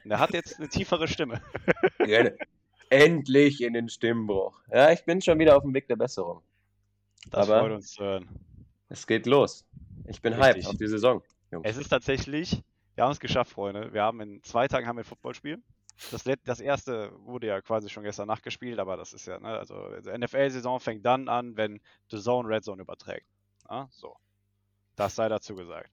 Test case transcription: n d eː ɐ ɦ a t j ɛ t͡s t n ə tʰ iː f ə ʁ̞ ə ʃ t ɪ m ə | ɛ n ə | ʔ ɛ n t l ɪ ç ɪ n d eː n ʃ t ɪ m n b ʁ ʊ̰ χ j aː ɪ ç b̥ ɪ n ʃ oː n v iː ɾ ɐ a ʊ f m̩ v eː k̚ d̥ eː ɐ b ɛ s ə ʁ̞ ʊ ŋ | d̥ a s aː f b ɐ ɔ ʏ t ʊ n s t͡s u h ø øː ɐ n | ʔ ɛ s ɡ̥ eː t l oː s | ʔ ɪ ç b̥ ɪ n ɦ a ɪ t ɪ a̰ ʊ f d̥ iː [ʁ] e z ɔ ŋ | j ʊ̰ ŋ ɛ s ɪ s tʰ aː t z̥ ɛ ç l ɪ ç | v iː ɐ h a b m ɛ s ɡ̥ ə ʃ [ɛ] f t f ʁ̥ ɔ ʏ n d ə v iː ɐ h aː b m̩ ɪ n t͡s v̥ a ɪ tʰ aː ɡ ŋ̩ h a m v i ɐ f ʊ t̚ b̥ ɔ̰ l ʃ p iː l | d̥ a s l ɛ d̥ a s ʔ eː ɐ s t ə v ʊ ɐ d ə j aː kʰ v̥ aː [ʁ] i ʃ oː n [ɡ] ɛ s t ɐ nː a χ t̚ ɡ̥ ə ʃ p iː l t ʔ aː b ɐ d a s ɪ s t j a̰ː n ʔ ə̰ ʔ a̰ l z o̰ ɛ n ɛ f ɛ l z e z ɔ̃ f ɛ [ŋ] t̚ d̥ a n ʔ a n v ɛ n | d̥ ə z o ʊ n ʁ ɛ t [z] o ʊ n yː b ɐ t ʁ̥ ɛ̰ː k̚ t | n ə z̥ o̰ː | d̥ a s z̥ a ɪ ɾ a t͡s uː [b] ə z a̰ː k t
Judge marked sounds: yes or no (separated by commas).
no, no, no, yes, yes, yes, no